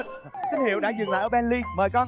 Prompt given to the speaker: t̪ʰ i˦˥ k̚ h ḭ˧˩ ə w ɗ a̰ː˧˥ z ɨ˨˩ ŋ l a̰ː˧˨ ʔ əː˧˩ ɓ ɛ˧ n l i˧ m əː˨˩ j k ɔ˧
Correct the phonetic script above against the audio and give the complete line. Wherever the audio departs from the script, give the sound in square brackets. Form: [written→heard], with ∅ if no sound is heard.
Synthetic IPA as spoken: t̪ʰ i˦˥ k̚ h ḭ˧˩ ə w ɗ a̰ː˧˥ z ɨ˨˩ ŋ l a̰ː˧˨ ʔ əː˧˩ ɓ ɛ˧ n l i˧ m əː˨˩ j k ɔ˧